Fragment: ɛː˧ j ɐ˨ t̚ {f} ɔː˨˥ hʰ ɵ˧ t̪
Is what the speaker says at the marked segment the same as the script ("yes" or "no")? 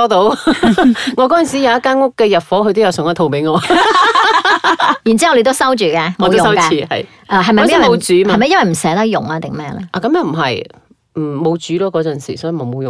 yes